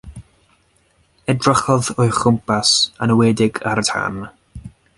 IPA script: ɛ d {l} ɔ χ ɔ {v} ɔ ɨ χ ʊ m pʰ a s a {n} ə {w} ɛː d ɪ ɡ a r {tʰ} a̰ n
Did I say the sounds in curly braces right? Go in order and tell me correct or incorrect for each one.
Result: incorrect, incorrect, correct, correct, correct

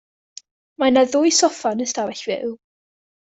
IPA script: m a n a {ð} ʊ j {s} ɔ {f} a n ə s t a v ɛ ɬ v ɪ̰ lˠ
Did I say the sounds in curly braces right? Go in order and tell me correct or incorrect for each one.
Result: correct, correct, correct

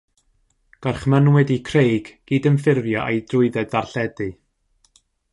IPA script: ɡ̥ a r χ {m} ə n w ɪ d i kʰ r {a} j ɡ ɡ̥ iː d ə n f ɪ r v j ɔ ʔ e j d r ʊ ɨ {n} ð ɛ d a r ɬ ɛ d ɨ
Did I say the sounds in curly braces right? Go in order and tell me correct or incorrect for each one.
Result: correct, incorrect, incorrect

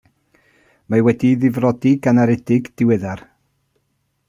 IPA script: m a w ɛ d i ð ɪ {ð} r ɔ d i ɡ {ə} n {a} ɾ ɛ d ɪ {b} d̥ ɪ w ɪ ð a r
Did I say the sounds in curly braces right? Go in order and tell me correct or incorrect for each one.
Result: incorrect, incorrect, correct, incorrect

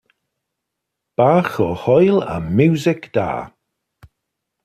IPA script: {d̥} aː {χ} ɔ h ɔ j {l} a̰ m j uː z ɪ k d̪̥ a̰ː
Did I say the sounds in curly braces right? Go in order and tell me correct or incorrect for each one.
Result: incorrect, incorrect, correct

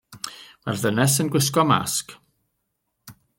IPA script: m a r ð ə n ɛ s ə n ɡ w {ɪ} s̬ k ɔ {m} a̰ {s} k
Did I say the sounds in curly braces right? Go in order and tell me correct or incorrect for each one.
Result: correct, correct, correct

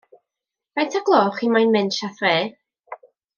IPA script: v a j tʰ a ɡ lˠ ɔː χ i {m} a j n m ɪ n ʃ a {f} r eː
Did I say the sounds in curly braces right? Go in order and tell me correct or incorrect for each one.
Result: correct, incorrect

